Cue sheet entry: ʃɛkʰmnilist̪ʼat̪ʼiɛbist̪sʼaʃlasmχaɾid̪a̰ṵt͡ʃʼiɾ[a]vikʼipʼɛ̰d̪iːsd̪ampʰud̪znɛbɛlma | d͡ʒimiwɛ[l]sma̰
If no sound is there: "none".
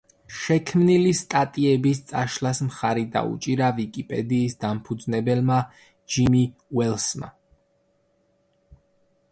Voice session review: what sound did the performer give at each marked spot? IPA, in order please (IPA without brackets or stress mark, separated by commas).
a, l